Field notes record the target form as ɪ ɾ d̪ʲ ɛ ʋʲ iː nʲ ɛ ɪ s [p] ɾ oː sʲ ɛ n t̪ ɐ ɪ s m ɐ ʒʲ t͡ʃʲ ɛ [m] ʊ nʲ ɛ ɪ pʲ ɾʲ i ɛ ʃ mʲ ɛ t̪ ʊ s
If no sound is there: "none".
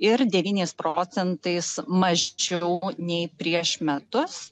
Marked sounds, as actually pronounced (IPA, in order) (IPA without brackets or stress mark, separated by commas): p, none